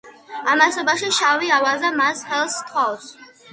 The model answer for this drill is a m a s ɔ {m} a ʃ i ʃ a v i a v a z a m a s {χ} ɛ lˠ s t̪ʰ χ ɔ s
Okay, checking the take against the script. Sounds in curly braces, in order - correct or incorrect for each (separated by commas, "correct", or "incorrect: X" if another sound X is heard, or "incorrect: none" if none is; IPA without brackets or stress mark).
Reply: incorrect: b, correct